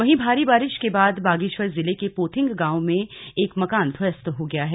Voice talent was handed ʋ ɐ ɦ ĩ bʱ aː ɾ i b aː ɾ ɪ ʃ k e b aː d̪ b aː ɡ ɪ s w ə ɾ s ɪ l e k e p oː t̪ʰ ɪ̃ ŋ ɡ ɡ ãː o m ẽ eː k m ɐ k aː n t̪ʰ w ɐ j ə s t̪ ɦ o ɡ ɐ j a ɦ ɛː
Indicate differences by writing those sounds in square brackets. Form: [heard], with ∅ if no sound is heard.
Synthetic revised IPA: ʋ ɐ ɦ ĩ bʱ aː ɾ i b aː ɾ ɪ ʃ k e b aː d̪ b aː ɡ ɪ [ʃ] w ə ɾ [z] ɪ l e k e p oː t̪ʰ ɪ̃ ŋ ɡ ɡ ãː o m ẽ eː k m ɐ k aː n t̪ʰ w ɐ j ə s t̪ ɦ o ɡ ɐ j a ɦ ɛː